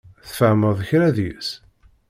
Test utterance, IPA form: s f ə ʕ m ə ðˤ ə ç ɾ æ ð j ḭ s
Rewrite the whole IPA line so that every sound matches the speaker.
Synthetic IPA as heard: θ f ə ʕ m ə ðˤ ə ç ɾ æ ð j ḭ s